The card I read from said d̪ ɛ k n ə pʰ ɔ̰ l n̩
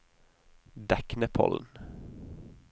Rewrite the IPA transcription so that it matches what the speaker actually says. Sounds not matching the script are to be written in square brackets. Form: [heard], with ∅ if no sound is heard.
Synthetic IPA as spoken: d̪ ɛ k n ə pʰ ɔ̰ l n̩